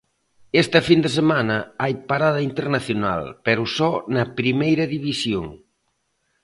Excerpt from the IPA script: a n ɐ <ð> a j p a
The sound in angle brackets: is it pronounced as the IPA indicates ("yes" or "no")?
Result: no